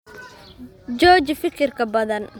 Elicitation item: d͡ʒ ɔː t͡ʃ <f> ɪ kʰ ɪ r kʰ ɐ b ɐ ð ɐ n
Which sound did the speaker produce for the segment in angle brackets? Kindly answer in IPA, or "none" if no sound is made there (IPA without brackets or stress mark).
f